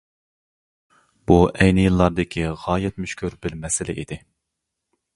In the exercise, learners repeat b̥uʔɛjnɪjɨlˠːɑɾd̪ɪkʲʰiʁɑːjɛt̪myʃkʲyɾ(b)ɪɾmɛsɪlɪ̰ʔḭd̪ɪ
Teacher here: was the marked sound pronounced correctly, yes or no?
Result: yes